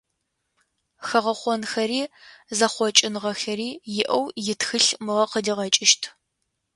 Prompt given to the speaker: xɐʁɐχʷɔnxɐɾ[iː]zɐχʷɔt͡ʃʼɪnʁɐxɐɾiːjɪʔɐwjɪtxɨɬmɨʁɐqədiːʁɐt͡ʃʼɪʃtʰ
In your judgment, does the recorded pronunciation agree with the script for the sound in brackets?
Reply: yes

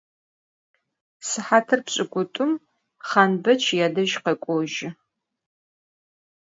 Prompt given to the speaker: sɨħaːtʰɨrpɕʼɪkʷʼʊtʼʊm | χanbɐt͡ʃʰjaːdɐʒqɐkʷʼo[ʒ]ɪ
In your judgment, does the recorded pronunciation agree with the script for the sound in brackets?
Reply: yes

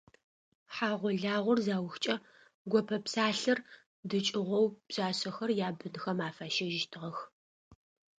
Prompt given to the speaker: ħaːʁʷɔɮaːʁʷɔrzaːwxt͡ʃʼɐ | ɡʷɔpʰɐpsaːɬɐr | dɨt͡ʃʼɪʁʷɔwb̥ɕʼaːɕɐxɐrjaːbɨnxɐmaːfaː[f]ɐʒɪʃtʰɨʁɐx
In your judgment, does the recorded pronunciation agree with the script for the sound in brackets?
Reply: no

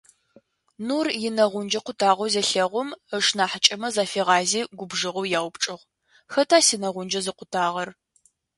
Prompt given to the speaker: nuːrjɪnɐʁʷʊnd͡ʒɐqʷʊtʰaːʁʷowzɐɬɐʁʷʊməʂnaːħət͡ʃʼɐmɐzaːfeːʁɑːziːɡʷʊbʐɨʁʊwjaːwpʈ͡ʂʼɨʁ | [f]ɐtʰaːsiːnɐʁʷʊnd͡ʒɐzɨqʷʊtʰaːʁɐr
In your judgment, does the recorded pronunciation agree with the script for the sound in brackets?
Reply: no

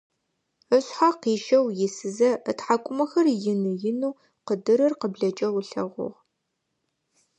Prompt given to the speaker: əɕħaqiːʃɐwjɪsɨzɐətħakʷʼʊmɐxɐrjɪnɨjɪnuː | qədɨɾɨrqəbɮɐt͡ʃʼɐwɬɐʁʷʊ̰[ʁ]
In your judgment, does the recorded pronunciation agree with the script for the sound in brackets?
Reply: yes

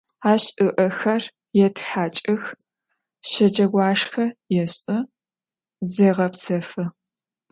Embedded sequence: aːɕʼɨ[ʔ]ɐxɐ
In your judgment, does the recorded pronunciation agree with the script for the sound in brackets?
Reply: yes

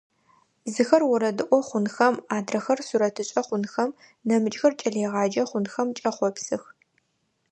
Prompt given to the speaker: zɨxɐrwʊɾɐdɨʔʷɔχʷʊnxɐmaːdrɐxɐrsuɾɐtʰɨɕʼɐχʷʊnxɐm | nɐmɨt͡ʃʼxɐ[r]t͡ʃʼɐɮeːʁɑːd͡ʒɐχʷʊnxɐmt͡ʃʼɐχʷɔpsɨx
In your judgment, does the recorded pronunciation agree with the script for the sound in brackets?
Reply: yes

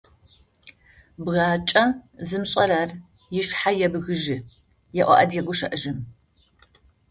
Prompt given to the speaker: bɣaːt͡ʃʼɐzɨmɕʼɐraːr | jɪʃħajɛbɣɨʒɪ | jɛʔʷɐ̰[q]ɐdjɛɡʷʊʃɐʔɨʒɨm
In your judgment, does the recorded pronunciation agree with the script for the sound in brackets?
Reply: no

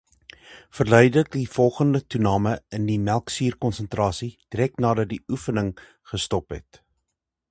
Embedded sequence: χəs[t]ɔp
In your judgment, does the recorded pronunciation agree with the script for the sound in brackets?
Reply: yes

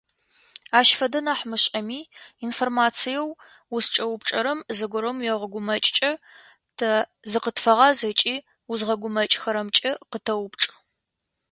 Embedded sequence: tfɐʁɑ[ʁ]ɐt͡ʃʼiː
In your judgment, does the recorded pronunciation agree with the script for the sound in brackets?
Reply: no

